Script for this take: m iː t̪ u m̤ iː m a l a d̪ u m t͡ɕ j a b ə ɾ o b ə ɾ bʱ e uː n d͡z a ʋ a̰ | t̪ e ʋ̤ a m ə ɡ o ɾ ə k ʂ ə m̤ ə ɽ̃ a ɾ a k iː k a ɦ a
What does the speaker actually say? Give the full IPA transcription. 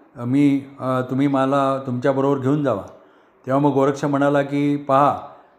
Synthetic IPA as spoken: m iː t̪ u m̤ iː m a l a t̪ u m t͡ɕ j a b ə ɾ o b ə ɾ ɡʱ e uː n d͡z a ʋ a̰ | t̪ e ʋ̤ a m ə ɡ o ɾ ə k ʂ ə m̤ ə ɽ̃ a l a k iː p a ɦ a